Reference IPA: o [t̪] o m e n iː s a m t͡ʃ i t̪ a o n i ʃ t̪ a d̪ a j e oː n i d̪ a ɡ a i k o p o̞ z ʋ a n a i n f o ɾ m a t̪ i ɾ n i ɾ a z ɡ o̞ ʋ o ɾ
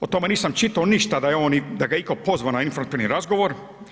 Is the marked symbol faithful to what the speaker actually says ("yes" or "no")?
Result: yes